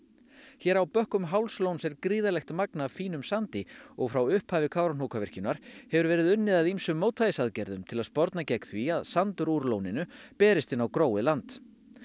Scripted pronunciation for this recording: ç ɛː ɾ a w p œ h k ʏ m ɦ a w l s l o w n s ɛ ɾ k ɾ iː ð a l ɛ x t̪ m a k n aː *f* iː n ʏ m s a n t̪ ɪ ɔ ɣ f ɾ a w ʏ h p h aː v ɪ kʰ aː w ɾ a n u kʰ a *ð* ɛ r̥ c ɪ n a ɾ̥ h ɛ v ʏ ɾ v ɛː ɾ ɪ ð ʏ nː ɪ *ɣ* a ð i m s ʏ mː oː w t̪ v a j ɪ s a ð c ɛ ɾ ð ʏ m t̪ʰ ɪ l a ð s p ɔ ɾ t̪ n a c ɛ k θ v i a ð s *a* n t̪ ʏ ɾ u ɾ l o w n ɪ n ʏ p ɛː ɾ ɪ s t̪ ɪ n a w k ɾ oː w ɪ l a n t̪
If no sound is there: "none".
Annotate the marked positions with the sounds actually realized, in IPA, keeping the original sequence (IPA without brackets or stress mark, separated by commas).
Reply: f, v, ð, a